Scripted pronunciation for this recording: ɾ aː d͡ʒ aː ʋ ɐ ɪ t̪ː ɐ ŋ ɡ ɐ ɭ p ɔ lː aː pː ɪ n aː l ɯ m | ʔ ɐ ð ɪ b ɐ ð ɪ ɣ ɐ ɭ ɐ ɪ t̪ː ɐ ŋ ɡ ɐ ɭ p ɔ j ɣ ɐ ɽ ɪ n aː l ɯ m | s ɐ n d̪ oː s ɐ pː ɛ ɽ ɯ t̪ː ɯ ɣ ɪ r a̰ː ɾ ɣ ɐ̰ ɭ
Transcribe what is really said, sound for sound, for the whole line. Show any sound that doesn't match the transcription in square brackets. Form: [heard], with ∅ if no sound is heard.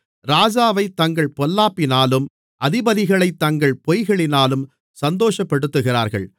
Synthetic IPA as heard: ɾ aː d͡ʒ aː ʋ ɐ ɪ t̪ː ɐ ŋ ɡ ɐ ɭ p ɔ lː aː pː ɪ n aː l ɯ m | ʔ ɐ ð ɪ b ɐ ð ɪ ɣ ɐ ɭ ɐ ɪ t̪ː ɐ ŋ ɡ ɐ ɭ p ɔ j ɣ ɐ [ɭ] ɪ n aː l ɯ m | s ɐ n d̪ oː [ʂ] ɐ pː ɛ ɽ ɯ t̪ː ɯ ɣ ɪ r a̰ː ɾ ɣ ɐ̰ ɭ